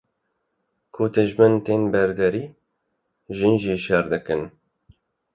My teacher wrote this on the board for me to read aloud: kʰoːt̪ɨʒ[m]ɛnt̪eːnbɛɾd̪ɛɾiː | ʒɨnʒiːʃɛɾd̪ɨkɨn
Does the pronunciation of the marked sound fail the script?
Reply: no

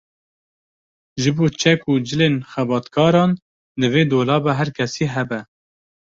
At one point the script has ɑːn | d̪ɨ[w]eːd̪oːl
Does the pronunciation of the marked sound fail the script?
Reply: yes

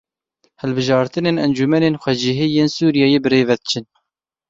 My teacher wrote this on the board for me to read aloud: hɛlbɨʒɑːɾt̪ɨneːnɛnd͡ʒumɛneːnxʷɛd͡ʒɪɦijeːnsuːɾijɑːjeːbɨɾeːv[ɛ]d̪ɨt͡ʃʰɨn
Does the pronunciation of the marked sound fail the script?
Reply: no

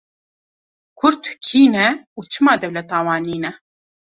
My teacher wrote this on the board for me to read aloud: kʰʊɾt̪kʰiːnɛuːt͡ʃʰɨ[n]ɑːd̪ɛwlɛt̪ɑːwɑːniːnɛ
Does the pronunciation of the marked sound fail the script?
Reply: yes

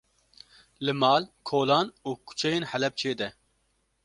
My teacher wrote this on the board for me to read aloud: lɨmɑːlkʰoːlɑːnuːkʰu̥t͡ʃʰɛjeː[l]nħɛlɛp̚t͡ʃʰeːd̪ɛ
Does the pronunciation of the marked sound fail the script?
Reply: yes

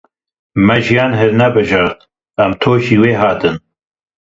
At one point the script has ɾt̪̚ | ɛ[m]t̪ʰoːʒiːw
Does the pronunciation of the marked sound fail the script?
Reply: no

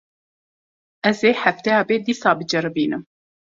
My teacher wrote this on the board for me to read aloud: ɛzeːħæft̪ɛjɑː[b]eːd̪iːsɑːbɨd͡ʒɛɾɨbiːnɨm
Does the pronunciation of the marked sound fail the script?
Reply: no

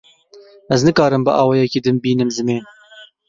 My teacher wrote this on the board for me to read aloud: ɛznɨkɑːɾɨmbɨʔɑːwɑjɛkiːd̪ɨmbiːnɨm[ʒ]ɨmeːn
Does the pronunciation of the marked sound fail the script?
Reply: yes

